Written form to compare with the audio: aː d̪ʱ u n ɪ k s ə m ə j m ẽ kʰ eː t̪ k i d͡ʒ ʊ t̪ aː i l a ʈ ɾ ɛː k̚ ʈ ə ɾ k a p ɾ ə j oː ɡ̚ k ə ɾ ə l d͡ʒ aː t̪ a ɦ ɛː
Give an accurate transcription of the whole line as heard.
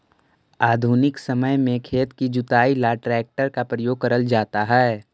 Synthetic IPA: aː d̪ʱ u n ɪ k s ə m ə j m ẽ kʰ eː t̪ k i d͡ʒ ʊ t̪ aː i l a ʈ ɾ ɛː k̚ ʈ ə ɾ k a p ɾ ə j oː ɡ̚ k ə ɾ ə l d͡ʒ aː t̪ a ɦ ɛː